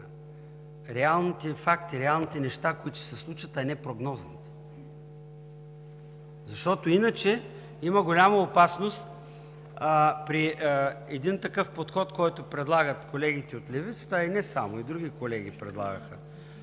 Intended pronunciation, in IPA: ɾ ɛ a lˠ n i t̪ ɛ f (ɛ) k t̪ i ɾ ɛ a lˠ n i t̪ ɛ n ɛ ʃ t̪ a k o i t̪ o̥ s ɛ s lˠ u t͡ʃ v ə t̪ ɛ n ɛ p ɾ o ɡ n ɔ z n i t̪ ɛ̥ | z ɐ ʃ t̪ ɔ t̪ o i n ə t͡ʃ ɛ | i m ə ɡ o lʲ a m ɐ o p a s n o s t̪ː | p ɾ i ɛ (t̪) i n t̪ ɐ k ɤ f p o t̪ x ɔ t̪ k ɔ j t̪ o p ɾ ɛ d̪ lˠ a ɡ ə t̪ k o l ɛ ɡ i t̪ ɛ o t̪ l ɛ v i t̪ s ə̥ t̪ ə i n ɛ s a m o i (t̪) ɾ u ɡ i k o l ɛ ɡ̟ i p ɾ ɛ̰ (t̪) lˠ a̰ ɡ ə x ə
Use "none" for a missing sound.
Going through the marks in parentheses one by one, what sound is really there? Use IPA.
a, d̪, d̪, d̪

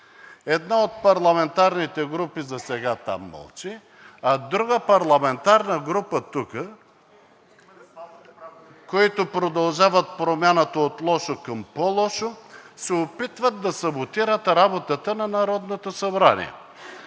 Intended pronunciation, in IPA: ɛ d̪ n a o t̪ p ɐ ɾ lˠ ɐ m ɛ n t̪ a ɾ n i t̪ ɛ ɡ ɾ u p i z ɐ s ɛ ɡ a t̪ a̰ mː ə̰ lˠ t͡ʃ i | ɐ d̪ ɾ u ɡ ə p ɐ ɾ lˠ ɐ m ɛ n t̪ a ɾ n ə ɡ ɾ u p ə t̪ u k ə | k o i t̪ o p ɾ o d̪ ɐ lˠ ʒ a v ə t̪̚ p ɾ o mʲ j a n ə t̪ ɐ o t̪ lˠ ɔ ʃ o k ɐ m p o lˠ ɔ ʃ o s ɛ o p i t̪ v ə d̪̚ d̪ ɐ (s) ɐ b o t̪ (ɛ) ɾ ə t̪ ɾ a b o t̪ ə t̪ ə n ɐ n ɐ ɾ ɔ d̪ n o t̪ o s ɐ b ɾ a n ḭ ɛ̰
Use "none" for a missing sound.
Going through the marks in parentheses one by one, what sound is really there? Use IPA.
s, i

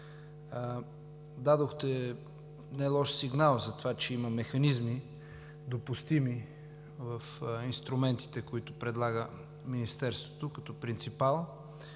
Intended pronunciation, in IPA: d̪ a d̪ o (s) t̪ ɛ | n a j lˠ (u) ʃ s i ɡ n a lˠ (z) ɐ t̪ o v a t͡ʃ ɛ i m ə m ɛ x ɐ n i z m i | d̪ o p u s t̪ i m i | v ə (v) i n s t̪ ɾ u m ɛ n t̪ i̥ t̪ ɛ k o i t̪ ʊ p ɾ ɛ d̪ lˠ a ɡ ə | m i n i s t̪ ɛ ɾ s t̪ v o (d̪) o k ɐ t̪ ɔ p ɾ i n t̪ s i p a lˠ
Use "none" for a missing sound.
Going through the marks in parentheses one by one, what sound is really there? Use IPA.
x, ɔ, z, f, t̪

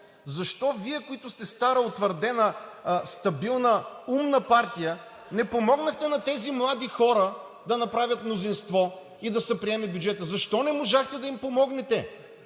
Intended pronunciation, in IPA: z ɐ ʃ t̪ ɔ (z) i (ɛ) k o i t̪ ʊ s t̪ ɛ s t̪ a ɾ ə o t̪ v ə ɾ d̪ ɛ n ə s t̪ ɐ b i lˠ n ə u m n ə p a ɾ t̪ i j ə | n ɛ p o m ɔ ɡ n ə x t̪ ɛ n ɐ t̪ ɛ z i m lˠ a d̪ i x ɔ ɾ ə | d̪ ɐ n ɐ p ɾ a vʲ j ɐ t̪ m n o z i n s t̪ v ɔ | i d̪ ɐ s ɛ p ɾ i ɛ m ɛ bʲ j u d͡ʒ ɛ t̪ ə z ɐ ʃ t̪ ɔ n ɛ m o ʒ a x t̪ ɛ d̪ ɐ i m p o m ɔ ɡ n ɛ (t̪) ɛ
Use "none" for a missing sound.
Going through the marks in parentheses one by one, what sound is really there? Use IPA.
v, ɛ, t̪

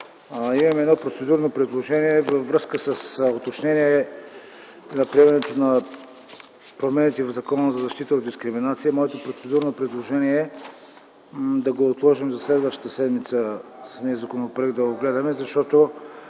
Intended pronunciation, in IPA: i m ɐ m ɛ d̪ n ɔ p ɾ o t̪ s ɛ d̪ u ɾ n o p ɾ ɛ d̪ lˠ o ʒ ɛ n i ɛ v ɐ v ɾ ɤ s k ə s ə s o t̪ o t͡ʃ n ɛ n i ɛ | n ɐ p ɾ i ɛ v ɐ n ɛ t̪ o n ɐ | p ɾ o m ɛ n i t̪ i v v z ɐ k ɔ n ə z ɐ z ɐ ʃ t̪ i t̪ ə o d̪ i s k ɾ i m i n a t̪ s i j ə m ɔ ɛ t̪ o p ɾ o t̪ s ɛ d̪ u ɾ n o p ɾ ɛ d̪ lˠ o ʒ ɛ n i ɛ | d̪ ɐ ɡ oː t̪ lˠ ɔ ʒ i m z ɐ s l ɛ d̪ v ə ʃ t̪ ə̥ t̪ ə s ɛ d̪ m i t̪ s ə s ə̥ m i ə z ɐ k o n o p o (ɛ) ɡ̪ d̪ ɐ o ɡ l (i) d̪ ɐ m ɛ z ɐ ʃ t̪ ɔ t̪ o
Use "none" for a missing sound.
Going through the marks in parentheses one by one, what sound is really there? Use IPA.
ɛ, ɛ

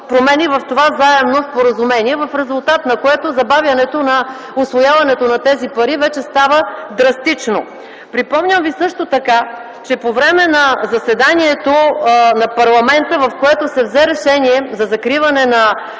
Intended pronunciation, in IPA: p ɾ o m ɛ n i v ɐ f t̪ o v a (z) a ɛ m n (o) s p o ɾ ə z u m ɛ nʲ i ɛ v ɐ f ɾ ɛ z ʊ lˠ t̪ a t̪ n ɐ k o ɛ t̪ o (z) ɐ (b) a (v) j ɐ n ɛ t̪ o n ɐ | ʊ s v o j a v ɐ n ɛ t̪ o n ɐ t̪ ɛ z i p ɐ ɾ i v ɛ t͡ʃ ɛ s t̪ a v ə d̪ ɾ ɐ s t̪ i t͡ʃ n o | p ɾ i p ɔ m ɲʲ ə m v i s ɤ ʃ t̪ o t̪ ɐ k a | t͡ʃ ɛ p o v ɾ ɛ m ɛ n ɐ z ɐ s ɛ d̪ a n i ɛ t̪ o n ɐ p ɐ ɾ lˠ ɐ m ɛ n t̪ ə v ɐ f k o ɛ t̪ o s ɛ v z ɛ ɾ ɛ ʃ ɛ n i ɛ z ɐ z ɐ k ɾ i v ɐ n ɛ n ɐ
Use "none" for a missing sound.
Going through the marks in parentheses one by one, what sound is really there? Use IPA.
z, o, z, b, v

